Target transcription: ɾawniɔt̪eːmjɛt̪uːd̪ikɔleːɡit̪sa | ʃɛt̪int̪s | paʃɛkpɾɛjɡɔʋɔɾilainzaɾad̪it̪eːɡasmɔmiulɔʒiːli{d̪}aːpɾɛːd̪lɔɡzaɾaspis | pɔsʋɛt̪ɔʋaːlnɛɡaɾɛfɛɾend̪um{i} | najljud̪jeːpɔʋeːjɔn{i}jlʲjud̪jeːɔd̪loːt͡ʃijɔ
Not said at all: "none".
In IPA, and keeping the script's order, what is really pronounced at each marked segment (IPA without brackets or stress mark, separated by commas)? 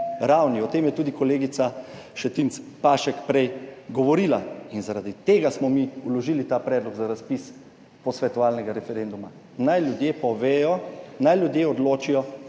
t̪, a, a